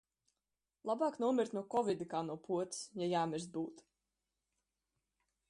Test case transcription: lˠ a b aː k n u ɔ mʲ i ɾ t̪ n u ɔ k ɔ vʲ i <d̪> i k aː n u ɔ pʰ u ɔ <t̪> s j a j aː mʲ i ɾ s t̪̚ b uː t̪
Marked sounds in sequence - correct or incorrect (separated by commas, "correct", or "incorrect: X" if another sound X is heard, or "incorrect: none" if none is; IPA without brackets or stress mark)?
correct, correct